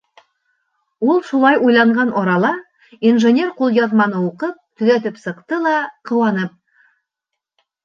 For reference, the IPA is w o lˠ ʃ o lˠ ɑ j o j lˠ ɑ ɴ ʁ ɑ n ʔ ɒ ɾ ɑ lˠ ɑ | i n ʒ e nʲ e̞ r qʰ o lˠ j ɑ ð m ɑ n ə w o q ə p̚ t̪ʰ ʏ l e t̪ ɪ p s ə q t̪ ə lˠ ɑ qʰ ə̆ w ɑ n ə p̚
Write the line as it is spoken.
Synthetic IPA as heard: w o lˠ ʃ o lˠ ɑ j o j lˠ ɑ ɴ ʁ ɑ n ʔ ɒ ɾ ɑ lˠ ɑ | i n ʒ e nʲ e̞ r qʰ o lˠ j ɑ ð m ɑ n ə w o q ə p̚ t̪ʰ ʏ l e t̪ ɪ p s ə q t̪ ə lˠ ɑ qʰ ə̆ w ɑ n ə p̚